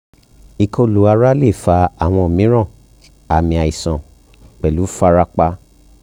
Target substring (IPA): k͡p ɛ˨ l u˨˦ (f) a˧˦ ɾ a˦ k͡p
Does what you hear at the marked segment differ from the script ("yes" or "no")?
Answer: no